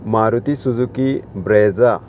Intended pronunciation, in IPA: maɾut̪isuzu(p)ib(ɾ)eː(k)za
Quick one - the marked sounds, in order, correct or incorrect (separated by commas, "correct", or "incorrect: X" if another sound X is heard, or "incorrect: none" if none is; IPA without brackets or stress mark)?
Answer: incorrect: k, correct, incorrect: none